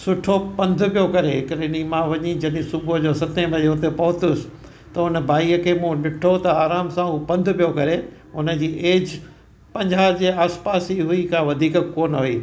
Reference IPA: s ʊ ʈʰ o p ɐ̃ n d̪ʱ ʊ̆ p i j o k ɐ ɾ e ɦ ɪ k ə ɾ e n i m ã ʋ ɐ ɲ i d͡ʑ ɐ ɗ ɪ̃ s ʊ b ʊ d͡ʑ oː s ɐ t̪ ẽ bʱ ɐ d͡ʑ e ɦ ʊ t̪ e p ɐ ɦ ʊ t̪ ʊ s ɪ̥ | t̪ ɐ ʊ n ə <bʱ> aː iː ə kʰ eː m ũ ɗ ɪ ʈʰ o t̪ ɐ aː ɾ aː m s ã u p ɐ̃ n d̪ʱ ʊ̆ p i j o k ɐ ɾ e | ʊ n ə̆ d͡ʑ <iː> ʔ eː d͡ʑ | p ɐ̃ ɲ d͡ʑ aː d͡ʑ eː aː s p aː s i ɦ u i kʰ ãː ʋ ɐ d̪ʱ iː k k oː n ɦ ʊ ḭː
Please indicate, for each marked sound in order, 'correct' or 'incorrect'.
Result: correct, correct

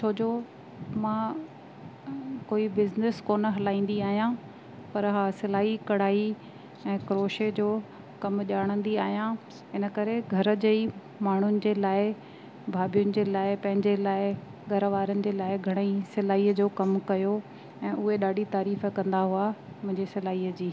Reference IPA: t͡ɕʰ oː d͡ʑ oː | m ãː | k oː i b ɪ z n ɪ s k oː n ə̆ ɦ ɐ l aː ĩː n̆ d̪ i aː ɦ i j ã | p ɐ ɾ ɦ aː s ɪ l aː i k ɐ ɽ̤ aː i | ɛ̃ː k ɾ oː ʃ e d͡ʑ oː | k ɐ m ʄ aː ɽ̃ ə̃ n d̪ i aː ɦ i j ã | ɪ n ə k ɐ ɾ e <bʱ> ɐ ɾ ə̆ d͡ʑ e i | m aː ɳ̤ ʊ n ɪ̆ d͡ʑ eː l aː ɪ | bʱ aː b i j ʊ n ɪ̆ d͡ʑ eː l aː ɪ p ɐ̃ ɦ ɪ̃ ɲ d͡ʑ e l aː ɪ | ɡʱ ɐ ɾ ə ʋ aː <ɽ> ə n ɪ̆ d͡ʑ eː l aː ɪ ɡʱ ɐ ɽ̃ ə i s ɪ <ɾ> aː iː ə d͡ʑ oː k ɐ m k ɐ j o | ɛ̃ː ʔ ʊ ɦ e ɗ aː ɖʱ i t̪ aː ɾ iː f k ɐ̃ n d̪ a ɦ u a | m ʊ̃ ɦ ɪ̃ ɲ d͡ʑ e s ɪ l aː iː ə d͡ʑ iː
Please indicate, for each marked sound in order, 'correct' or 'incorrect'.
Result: incorrect, incorrect, incorrect

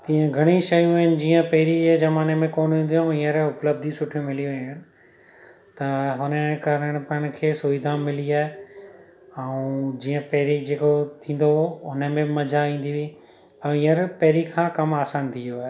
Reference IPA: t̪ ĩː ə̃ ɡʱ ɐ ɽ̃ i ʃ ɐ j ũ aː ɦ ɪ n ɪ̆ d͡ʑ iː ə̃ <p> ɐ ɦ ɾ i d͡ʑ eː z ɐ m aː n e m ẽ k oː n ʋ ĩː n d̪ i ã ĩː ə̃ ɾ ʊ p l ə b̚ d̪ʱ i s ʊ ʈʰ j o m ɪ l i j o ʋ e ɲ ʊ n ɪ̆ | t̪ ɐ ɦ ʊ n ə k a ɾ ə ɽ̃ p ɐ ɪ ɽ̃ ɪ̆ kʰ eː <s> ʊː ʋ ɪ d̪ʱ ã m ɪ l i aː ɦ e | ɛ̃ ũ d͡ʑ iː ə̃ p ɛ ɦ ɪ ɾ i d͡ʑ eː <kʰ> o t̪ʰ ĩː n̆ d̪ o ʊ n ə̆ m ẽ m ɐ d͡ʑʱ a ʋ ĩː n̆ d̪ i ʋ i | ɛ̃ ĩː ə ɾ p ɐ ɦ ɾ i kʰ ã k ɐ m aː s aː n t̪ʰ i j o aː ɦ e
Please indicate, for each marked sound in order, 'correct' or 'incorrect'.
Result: correct, correct, incorrect

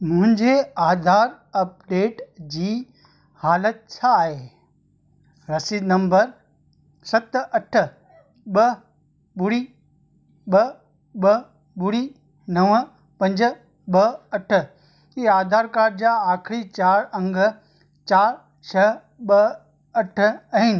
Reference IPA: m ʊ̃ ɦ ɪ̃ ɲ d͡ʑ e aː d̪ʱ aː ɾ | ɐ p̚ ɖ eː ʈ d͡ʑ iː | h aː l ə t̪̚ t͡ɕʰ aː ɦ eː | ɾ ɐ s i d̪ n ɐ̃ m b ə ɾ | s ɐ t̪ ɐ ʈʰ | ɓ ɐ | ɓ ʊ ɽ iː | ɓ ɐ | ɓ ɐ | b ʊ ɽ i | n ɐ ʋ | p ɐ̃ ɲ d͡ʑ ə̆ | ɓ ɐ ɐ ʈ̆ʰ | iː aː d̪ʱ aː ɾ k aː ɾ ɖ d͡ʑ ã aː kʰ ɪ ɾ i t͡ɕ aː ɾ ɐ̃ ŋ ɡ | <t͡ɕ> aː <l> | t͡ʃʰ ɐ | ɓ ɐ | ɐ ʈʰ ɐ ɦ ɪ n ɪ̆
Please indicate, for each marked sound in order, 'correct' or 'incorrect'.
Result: correct, incorrect

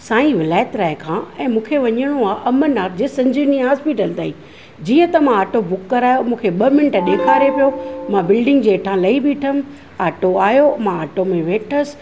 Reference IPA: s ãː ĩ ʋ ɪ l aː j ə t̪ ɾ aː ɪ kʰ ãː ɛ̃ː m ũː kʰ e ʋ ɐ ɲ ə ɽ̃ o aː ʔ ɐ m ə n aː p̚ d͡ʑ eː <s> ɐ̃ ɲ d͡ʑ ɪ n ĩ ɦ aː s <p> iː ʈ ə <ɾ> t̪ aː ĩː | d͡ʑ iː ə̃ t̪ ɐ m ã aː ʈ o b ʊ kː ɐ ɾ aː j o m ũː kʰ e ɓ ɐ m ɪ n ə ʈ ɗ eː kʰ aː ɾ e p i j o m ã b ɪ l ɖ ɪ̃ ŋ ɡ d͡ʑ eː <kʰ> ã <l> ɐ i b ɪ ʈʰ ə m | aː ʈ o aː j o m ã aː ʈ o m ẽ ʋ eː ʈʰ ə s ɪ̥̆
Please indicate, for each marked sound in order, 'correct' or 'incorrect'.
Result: correct, correct, incorrect, incorrect, correct

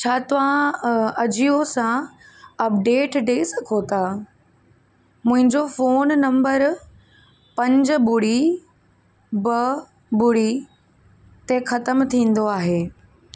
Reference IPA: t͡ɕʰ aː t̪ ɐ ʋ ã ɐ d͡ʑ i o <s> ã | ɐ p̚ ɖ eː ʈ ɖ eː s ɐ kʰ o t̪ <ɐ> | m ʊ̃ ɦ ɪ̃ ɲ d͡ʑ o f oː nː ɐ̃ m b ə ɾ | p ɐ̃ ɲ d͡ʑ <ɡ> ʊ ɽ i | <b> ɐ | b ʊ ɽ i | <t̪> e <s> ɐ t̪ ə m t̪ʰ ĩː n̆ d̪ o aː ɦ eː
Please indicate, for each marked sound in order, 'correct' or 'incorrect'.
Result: correct, incorrect, incorrect, correct, correct, incorrect

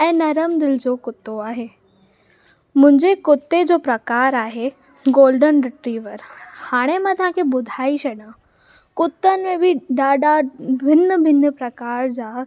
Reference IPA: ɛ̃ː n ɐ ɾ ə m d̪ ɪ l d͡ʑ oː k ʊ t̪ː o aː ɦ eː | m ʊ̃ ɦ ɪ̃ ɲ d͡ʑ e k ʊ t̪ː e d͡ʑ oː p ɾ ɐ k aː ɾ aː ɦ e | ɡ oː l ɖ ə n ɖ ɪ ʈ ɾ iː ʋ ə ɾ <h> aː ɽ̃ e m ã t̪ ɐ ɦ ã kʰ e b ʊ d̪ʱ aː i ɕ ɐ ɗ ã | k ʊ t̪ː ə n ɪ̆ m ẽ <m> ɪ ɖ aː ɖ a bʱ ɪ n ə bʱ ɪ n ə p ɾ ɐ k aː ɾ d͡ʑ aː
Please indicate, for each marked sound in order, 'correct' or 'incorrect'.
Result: correct, incorrect

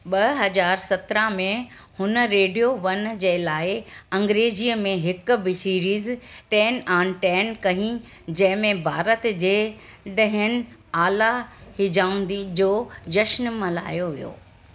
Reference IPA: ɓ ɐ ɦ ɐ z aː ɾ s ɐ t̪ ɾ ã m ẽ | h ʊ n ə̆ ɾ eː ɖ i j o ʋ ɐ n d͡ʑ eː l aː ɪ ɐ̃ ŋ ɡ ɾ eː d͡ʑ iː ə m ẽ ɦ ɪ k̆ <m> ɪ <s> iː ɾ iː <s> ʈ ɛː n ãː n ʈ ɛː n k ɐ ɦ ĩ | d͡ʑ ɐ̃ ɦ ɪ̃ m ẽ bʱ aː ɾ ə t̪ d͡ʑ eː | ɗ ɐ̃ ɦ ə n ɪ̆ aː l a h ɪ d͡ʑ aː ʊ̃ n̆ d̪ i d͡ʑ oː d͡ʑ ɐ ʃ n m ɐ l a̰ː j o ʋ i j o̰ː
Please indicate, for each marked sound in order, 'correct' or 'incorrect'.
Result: incorrect, correct, incorrect

